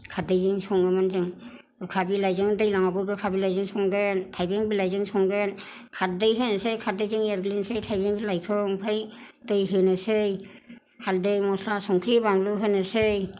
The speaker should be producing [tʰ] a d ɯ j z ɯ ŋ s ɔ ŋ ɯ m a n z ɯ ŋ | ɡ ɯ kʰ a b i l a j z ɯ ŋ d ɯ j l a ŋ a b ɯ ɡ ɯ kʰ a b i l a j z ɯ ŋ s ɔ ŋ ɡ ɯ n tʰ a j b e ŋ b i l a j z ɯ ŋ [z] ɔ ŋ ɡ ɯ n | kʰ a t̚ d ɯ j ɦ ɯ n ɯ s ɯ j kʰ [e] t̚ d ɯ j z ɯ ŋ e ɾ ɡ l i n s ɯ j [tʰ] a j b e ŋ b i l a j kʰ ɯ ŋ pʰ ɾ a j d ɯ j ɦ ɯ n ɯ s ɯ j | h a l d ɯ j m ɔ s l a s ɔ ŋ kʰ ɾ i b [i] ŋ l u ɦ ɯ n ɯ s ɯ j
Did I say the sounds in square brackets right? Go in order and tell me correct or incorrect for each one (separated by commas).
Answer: incorrect, incorrect, incorrect, correct, incorrect